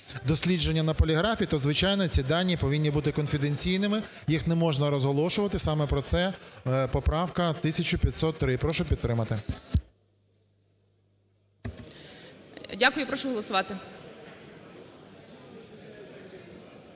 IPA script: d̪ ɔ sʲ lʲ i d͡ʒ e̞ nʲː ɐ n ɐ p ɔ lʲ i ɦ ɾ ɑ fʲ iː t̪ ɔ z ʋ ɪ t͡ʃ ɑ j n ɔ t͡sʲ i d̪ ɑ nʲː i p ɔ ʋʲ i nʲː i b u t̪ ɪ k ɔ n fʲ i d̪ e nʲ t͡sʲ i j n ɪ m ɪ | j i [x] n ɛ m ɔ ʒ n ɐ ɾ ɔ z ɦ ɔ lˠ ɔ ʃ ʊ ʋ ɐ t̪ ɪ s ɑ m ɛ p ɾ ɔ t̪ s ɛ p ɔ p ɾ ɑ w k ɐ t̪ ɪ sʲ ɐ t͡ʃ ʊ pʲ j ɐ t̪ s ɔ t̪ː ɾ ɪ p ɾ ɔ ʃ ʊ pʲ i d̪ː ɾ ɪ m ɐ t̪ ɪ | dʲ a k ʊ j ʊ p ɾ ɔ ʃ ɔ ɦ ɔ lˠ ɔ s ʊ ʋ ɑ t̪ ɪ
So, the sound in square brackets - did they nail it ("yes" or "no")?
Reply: yes